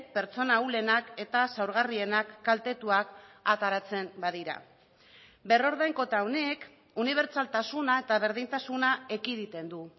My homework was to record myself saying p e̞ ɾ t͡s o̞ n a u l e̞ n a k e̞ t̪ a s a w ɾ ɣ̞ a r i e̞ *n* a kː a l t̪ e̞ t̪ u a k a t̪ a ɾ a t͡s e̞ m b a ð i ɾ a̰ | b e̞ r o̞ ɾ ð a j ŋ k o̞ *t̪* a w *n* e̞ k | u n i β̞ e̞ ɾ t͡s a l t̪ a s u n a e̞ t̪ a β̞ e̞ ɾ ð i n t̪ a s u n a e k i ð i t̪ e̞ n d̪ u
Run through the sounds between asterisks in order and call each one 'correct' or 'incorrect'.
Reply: correct, correct, correct

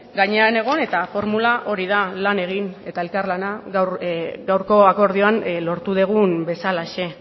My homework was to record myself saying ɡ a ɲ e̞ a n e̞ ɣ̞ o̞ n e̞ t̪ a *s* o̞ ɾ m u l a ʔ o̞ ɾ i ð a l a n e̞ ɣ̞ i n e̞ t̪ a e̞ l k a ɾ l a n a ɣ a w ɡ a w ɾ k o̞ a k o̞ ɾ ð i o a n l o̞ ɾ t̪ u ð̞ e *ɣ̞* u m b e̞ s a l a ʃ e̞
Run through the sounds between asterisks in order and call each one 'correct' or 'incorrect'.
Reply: incorrect: f, correct

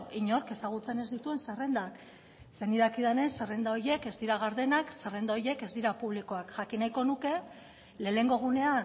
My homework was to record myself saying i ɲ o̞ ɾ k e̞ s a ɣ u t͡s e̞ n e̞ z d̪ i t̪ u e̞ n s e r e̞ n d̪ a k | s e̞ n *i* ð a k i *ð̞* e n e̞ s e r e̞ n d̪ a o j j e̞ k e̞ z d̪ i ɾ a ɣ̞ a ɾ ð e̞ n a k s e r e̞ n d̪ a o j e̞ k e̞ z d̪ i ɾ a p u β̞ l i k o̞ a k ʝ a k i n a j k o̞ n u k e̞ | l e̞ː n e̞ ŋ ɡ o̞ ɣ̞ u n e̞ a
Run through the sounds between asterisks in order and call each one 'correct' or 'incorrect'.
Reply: correct, correct

